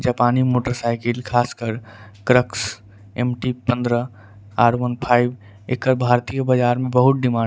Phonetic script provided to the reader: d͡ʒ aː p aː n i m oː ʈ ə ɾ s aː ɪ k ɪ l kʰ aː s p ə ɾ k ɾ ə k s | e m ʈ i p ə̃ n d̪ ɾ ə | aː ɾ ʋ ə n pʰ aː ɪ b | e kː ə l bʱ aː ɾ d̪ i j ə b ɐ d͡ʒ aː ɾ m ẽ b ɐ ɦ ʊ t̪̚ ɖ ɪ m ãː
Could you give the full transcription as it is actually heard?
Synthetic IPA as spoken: d͡ʒ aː p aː n i m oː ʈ ə ɾ s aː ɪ k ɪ l kʰ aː s k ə ɾ k ɾ ə k s | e m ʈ i p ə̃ n d̪ ɾ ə | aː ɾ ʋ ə n pʰ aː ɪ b | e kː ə ɾ bʱ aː ɾ t̪ i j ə b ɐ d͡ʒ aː ɾ m ẽ b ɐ ɦ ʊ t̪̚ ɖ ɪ m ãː

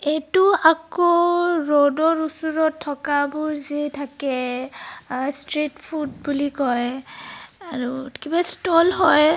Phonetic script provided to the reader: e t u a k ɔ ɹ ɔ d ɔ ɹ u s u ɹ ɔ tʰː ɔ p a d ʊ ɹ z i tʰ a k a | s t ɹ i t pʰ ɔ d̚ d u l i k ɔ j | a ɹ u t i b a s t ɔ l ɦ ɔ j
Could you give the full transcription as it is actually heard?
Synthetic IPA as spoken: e t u a k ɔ ɹ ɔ d ɔ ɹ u s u ɹ ɔ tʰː ɔ k a b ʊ ɹ z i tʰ a k ɛ | s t ɹ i t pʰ u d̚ b u l i k ɔ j | a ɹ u k i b a s t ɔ l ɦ ɔ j

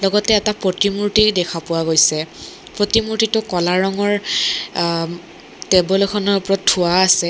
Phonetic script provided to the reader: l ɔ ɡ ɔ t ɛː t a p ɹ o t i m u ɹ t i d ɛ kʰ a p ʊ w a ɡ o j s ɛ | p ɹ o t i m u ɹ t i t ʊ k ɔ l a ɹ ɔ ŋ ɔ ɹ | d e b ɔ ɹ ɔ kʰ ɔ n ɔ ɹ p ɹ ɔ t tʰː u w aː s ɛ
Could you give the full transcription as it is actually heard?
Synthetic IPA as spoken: l ɔ ɡ ɔ t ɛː t a p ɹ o t i m u ɹ t i d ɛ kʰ a p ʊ w a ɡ o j s ɛ | p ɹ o t i m u ɹ t i t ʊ k ɔ l a ɹ ɔ ŋ ɔ ɹ | t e b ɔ l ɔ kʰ ɔ n ɔ ɹ p ɹ ɔ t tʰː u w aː s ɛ

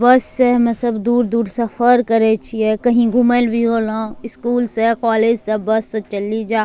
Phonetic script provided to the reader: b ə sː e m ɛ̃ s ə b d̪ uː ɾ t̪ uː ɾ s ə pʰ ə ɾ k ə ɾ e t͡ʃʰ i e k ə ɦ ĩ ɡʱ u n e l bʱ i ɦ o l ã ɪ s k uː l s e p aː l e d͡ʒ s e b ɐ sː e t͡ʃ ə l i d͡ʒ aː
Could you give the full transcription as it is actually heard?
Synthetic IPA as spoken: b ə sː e m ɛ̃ s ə b d̪ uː ɾ d̪ uː ɾ s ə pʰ ə ɾ k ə ɾ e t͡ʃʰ i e k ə ɦ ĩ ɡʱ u m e l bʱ i ɦ o l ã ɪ s k uː l s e k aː l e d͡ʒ s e b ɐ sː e t͡ʃ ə l i d͡ʒ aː

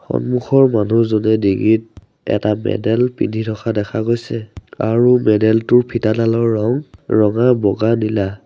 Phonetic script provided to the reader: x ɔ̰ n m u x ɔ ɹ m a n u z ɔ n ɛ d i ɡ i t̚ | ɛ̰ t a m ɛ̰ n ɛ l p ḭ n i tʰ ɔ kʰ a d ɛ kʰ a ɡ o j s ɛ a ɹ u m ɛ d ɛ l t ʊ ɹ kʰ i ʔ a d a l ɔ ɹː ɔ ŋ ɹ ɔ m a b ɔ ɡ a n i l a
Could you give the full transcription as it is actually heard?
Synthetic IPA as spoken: x ɔ̰ n m u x ɔ ɹ m a n u z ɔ n ɛ d i ɡ i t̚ | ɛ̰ t a m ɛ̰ d ɛ l p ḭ n i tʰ ɔ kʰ a d ɛ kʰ a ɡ o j s ɛ a ɹ u m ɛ d ɛ l t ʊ ɹ pʰ i t a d a l ɔ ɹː ɔ ŋ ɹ ɔ ŋ a b ɔ ɡ a n i l a

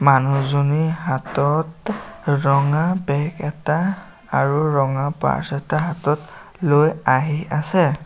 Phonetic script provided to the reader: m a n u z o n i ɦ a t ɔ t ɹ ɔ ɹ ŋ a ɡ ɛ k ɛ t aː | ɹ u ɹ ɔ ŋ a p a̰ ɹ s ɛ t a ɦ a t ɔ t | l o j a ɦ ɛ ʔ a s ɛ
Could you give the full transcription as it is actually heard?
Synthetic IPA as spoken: m a n u z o n i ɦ a t ɔ t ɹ ɔ ŋ a b ɛ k ɛ t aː | ɹ u ɹ ɔ ŋ a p a̰ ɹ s ɛ t a ɦ a t ɔ t | l o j a ɦ i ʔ a s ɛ

